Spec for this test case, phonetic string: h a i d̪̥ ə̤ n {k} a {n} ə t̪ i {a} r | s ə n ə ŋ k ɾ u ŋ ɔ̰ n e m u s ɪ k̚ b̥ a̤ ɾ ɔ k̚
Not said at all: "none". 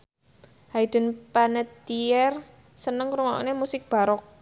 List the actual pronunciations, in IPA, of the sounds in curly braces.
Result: p, n, ɛ

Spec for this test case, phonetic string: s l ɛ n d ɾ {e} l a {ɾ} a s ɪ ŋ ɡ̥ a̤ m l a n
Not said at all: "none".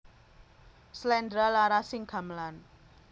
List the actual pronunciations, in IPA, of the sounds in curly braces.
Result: a, ɾ

